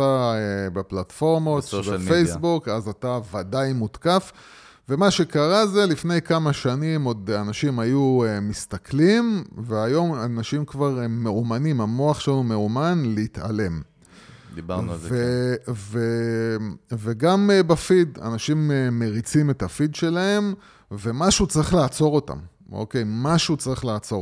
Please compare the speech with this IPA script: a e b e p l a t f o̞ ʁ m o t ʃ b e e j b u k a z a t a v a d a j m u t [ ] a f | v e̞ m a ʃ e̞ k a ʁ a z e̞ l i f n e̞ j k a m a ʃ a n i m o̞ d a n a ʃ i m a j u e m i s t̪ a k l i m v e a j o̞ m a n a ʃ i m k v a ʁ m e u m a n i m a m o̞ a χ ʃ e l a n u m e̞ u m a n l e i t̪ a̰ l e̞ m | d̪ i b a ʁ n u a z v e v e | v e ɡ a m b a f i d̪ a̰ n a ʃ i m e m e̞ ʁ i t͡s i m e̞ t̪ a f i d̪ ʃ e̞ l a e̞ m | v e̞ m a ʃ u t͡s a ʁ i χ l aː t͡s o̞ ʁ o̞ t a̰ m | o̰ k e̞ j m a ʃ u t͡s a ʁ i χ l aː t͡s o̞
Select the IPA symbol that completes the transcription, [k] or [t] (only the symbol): k